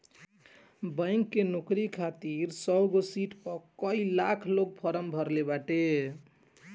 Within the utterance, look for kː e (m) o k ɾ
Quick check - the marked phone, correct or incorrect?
incorrect